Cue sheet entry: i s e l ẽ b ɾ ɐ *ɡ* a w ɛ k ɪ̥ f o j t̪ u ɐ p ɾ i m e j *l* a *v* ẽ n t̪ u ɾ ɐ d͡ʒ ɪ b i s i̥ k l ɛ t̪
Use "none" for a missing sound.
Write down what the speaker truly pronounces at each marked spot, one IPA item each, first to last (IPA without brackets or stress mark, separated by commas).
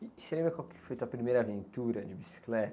k, ɾ, v